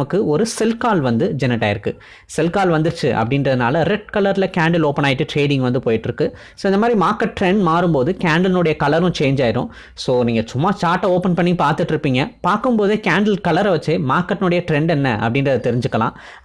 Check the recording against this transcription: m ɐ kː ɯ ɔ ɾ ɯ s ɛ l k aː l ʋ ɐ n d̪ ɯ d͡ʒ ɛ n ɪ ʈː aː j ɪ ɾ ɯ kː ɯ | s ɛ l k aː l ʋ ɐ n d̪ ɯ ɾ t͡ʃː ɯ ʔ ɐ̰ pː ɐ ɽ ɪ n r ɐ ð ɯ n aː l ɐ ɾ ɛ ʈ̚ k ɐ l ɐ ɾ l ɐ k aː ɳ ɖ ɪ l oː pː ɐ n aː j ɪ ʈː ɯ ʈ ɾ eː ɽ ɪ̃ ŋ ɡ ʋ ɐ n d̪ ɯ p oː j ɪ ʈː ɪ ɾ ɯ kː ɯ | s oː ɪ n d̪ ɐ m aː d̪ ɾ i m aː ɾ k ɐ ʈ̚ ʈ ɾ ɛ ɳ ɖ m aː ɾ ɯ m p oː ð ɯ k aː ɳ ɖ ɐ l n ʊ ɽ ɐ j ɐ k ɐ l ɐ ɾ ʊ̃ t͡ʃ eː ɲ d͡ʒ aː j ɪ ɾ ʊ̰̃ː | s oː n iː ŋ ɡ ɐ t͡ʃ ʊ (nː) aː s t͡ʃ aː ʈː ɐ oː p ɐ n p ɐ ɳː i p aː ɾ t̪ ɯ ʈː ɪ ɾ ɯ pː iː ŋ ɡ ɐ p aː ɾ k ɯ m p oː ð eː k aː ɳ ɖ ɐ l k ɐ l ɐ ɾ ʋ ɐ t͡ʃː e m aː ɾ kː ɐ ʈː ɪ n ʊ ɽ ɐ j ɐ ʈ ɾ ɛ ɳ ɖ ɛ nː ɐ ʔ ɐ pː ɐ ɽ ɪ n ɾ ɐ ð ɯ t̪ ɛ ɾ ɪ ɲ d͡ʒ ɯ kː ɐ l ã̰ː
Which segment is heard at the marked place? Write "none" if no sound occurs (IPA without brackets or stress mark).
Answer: mː